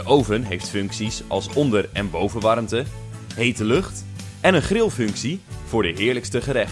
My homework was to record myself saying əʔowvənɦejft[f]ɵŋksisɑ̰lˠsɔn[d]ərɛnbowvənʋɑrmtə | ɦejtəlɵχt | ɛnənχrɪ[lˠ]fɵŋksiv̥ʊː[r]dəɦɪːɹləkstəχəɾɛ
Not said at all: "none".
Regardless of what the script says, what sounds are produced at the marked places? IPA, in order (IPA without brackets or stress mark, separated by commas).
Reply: f, d, lˠ, ɹ